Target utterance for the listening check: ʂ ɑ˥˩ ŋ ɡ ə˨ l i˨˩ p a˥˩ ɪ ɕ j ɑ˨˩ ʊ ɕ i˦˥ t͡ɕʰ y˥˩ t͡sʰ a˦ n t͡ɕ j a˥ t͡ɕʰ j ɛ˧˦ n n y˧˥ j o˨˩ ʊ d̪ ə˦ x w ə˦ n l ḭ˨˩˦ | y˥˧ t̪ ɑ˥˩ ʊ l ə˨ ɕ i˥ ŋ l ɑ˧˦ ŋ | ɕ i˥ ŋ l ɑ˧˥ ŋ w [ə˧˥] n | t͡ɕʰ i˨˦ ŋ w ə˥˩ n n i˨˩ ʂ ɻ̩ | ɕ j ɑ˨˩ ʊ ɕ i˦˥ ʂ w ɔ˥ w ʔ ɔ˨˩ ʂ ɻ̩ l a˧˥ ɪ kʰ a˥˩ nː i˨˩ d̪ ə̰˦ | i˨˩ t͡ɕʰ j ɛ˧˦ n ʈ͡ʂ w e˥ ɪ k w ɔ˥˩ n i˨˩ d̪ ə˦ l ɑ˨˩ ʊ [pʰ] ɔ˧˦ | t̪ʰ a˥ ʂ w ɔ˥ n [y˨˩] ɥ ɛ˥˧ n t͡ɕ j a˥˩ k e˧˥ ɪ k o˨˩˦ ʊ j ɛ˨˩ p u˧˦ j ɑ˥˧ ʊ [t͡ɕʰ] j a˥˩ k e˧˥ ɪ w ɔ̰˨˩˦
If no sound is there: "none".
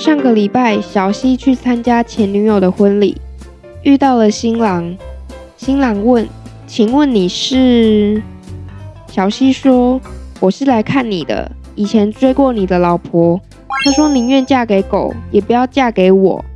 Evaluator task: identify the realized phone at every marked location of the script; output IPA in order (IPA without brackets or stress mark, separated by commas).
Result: ə˥˨, pʰ, i˨˩, t͡ɕ